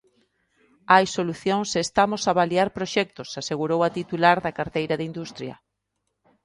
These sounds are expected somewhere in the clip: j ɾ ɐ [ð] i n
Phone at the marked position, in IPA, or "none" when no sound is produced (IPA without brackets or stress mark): ð